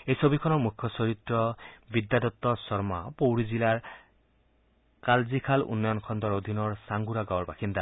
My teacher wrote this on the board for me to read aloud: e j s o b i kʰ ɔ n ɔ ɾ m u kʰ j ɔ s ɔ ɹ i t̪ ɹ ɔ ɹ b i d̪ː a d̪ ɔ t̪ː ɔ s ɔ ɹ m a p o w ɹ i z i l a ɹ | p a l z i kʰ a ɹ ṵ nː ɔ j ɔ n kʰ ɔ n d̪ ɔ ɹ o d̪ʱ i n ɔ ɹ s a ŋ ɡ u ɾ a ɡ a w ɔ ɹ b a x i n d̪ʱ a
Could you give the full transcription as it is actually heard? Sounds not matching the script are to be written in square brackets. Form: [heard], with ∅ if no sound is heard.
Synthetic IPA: e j s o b i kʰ ɔ n ɔ [ɹ] m u kʰ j ɔ s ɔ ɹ i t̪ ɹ ɔ [∅] b i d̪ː a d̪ ɔ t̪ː ɔ s ɔ ɹ m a p o w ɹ i z i l a ɹ | [k] a l z i kʰ a [l] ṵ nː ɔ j ɔ n kʰ ɔ n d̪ ɔ ɹ o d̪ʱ i n ɔ ɹ s a ŋ ɡ u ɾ a ɡ a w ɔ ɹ b a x i n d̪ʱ a